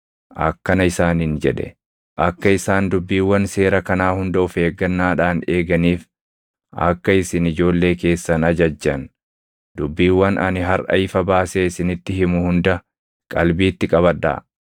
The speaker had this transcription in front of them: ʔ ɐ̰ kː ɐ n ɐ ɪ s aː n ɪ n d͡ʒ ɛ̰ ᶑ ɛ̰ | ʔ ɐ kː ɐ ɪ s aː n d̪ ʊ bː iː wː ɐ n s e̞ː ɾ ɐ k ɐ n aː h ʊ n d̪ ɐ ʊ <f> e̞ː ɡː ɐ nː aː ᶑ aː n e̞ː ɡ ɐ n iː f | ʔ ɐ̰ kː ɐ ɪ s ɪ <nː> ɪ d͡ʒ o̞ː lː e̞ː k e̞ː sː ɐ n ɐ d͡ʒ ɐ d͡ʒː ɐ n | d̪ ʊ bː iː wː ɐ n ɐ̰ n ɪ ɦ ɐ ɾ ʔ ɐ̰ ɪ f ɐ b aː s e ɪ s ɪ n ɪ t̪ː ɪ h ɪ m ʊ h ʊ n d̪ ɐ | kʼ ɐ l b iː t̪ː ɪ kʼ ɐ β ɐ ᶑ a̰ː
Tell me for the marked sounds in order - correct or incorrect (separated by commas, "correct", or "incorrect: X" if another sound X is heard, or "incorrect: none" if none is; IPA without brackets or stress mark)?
correct, incorrect: n